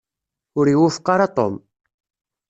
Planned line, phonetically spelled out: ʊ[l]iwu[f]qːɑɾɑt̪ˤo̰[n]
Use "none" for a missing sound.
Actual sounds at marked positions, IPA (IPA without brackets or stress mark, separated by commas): ɾ, f, m